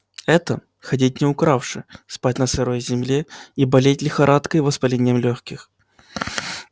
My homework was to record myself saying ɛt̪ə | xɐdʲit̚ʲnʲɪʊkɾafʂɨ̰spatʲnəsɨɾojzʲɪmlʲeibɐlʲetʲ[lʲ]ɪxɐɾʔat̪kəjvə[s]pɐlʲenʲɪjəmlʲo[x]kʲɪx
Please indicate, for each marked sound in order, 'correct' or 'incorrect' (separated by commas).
correct, correct, correct